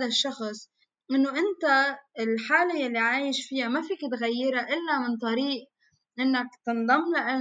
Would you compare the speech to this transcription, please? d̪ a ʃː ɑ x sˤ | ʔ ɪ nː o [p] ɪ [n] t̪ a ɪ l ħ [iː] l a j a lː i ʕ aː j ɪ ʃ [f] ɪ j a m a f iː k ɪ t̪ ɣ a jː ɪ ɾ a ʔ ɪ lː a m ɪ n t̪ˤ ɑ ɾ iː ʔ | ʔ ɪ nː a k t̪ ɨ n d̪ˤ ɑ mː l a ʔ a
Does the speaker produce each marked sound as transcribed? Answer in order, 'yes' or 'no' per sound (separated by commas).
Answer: no, yes, no, yes